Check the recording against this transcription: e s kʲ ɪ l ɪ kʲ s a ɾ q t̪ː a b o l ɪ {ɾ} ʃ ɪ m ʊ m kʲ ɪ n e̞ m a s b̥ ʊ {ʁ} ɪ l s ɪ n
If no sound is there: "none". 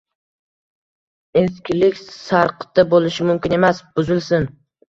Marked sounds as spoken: none, z

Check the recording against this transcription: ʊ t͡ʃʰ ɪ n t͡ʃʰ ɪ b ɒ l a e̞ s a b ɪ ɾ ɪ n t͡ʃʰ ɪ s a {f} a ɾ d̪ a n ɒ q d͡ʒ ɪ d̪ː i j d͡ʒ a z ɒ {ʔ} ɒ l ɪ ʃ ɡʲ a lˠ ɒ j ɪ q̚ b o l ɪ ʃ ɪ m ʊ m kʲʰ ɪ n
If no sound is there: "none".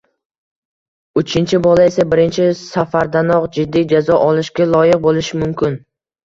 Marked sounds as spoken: f, ʔ

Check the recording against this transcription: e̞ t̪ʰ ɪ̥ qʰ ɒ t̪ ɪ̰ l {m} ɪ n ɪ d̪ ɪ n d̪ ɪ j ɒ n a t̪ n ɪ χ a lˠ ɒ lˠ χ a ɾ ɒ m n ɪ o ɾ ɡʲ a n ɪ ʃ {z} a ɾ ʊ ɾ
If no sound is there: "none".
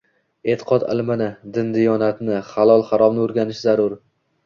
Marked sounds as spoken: m, z

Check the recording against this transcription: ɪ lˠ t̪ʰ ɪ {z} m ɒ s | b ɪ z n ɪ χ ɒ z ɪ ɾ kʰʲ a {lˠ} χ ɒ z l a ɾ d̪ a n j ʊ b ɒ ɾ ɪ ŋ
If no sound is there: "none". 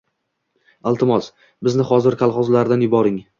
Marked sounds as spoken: none, lˠ

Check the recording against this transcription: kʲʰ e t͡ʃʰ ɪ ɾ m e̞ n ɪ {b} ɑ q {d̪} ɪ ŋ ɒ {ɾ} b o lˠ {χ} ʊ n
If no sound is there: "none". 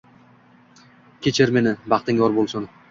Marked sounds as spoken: b, t̪, ɾ, s

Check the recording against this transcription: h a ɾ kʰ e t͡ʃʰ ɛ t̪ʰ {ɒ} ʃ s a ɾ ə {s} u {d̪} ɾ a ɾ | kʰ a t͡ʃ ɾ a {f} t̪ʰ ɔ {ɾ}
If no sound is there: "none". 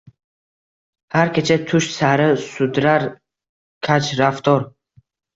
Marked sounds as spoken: u, s, d̪, f, ɾ

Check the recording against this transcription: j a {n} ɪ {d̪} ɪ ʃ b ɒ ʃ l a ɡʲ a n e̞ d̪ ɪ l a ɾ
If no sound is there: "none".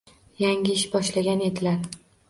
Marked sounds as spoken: ŋ, none

